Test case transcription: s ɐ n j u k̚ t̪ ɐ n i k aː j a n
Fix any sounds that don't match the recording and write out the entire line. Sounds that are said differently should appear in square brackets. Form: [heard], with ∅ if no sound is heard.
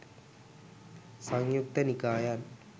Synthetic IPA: s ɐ [ŋ] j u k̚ t̪ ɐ n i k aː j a n